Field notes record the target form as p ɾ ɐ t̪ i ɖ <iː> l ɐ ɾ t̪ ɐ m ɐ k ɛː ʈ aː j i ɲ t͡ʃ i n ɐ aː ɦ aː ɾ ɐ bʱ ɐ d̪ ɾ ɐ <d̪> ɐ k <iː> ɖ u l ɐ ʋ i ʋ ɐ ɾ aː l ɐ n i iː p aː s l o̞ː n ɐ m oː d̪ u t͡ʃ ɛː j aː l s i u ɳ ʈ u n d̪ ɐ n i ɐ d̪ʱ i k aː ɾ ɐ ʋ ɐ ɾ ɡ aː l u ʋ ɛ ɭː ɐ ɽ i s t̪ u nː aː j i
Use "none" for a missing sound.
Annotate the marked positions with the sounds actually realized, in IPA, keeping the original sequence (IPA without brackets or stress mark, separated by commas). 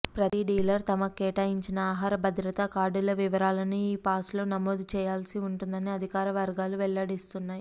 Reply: iː, t̪, aː